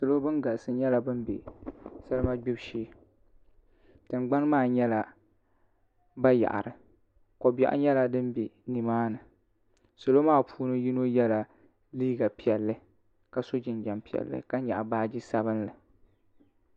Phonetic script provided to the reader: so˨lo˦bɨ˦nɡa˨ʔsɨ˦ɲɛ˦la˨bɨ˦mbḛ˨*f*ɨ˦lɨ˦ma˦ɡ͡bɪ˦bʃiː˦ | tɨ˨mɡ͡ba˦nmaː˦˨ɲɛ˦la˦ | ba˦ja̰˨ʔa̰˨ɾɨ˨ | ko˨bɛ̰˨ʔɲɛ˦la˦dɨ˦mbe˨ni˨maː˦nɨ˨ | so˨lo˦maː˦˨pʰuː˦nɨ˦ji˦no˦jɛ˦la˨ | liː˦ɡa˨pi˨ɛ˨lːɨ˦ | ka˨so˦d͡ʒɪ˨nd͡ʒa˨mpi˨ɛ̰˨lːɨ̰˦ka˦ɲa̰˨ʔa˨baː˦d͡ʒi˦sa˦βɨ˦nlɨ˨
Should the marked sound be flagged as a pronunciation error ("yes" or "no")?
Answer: yes